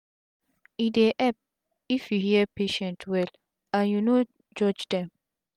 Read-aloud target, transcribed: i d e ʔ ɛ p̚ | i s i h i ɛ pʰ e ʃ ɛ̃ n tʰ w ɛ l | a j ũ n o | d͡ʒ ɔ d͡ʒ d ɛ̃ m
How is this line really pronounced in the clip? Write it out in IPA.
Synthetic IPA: i d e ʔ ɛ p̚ | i f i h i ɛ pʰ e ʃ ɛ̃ n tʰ w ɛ l | a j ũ n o | d͡ʒ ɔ d͡ʒ d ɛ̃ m